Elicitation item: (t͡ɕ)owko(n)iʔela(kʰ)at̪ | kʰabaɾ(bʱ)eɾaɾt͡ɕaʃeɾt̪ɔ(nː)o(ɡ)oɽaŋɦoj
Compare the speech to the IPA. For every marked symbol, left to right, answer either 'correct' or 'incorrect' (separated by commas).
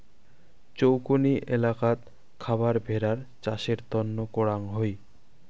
correct, correct, incorrect, correct, correct, incorrect